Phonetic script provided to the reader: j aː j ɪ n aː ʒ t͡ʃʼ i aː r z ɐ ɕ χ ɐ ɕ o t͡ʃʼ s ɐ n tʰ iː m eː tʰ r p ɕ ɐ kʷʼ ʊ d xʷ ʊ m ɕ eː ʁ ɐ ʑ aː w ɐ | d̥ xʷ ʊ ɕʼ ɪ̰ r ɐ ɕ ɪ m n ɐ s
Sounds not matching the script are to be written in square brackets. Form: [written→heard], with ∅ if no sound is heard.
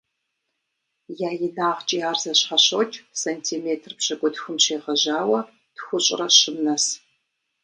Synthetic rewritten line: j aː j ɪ n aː [ʒ→ʁ] t͡ʃʼ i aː r z ɐ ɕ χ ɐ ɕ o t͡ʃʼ s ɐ n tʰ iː m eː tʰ r p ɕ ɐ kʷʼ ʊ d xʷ ʊ m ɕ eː ʁ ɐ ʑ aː w ɐ | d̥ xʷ ʊ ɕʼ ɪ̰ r ɐ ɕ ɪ m n ɐ s